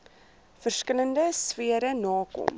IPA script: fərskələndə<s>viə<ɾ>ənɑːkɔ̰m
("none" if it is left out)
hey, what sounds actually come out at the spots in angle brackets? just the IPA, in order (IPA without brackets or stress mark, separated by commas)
s, ɾ